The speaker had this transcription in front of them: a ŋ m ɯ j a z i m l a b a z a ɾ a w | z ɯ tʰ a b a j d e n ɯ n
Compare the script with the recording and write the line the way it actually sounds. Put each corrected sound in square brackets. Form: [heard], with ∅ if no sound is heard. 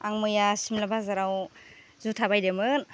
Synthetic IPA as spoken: a ŋ m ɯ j a [s] i m l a b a z a ɾ a w | z [u] tʰ a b a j d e [m] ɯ n